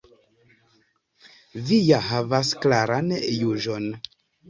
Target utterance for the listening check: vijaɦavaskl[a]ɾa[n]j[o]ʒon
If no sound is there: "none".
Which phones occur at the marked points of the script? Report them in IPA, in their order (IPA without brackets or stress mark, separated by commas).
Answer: a, n, u